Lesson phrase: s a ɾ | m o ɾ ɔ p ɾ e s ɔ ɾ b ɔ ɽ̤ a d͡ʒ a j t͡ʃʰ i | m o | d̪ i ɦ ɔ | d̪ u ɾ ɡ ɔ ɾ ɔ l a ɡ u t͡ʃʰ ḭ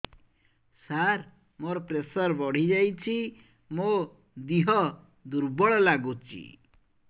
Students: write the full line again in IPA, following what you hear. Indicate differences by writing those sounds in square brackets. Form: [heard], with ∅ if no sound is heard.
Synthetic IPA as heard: s a ɾ | m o ɾ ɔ p ɾ e s ɔ ɾ b ɔ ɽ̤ [i] d͡ʒ a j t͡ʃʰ i | m o | d̪ i ɦ ɔ | d̪ u ɾ [b] ɔ [ɭ] ɔ l a ɡ u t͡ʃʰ ḭ